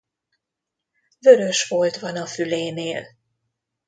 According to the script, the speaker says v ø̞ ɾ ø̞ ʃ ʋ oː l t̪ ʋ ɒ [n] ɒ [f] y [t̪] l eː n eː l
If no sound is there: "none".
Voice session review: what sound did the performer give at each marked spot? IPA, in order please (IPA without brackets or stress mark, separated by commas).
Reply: n, f, none